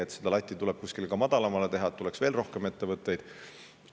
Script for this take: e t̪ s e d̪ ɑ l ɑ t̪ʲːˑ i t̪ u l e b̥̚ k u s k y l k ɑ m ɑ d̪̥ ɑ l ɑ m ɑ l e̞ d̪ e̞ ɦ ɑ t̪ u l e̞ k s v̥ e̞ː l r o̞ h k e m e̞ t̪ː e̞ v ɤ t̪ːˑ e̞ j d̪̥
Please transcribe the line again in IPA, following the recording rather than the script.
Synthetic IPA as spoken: e t̪ s e d̪ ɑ l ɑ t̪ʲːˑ i t̪ u l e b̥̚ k u s k i l k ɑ m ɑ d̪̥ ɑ l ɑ m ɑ l e̞ t̪ e̞ ɦ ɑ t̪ u l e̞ k s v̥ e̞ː l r o̞ h k e m e̞ t̪ː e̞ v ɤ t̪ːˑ e̞ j d̪̥